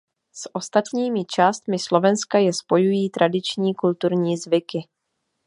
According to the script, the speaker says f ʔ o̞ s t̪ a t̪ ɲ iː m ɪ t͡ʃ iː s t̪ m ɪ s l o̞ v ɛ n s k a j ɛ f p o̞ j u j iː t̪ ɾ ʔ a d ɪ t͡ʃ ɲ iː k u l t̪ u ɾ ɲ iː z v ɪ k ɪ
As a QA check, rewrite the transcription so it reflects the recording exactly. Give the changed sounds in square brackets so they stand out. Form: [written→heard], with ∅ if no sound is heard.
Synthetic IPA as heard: [f→s] ʔ o̞ s t̪ a t̪ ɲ iː m ɪ t͡ʃ [iː→aː] s t̪ m ɪ s l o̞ v ɛ n s k a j ɛ [f→s] p o̞ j u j iː t̪ ɾ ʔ a d ɪ t͡ʃ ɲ iː k u l t̪ u ɾ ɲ iː z v ɪ k ɪ